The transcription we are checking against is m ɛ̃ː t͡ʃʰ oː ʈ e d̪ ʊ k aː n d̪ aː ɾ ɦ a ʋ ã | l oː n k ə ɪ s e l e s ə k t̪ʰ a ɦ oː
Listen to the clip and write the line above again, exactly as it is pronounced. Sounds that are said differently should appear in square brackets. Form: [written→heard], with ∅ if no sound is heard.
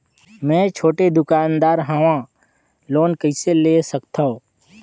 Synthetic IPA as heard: m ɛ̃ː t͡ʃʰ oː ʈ e d̪ ʊ k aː n d̪ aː ɾ ɦ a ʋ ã | l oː n k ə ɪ s e l e s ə k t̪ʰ a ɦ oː